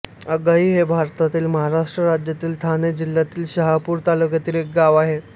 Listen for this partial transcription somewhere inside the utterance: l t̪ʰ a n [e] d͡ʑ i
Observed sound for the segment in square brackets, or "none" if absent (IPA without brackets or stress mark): e